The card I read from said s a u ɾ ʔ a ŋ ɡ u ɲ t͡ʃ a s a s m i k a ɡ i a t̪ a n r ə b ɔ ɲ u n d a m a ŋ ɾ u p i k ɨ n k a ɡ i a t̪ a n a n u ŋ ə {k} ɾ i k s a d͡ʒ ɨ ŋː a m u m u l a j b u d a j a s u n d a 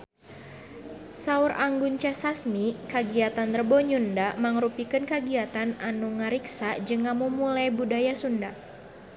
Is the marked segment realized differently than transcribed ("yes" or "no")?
yes